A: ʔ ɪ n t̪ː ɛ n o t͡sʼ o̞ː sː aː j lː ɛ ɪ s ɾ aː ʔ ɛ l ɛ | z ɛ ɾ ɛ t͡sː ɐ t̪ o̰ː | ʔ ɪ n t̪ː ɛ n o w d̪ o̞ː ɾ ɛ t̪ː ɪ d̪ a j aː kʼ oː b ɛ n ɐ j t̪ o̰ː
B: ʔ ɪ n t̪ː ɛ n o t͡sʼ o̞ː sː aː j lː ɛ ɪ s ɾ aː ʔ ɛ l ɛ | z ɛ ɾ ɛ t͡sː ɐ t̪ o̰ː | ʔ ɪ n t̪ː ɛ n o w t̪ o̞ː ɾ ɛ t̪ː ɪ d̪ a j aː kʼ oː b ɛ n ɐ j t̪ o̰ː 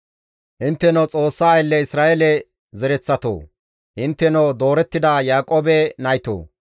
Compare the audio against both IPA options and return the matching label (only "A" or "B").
A